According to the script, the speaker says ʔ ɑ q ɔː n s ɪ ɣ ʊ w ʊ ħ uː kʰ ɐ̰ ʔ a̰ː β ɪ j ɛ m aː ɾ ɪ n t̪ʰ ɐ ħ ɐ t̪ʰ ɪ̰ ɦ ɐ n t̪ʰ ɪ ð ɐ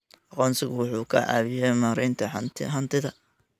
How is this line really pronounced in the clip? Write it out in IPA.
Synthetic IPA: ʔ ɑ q ɔː n s ɪ ɣ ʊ w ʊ ħ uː kʰ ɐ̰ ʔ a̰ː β ɪ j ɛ m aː ɾ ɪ n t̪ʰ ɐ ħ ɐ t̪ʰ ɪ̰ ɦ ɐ n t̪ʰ ɪ ð ɐ